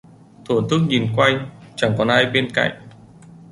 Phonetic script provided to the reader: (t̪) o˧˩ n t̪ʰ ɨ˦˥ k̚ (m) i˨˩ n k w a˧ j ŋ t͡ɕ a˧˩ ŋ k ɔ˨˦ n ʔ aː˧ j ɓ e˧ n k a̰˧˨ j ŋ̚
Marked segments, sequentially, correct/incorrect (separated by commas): incorrect, incorrect